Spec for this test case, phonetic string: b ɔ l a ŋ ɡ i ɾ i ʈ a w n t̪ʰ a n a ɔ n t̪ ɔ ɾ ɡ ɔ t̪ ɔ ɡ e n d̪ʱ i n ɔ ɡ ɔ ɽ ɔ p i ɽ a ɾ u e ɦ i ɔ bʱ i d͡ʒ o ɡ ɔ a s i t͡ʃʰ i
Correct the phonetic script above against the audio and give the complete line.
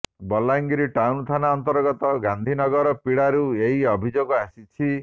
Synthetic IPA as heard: b ɔ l a ŋ ɡ i ɾ i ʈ a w n t̪ʰ a n a ɔ n t̪ ɔ ɾ ɡ ɔ t̪ ɔ ɡ a n d̪ʱ i n ɔ ɡ ɔ ɾ ɔ p i ɽ a ɾ u e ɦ i ɔ bʱ i d͡ʒ o ɡ ɔ a s i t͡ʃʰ i